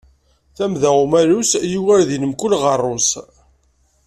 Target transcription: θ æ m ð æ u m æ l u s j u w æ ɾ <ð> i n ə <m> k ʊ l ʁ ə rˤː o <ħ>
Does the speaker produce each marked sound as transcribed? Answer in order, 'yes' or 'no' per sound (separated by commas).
yes, yes, no